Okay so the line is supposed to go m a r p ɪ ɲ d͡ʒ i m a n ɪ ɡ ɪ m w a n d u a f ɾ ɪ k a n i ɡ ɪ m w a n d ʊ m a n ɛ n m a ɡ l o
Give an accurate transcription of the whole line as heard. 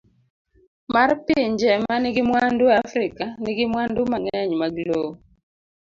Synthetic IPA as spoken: m a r p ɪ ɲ d͡ʒ ɛ m a n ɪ ɡ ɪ m w a n d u a f ɾ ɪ k a n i ɡ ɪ m w a n d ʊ m a ŋ ɛ ɲ m a ɡ l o